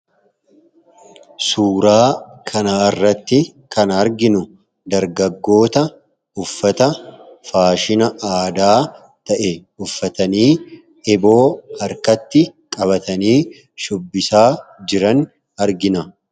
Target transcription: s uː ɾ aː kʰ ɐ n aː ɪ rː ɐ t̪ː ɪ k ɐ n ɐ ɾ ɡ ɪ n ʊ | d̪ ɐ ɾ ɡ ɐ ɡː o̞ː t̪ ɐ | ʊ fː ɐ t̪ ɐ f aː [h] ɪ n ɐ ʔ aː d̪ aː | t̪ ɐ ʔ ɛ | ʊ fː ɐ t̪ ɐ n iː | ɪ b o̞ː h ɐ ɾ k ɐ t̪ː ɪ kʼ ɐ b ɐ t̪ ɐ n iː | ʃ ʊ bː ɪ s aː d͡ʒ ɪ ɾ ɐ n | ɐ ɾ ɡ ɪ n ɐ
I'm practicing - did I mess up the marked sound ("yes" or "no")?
yes